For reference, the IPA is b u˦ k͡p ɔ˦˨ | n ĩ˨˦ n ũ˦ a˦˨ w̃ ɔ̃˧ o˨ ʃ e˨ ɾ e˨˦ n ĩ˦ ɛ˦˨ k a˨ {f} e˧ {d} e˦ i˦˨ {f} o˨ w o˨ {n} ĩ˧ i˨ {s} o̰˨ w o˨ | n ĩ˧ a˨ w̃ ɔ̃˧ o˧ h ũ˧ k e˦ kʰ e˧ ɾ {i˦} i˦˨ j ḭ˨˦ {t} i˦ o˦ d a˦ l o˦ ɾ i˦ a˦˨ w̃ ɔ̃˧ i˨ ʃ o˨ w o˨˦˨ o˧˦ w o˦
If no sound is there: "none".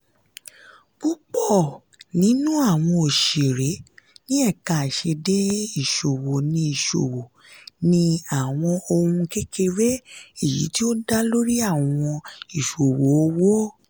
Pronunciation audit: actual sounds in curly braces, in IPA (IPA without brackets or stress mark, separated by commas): ʃ, d, ʃ, n, ʃ, e˦, t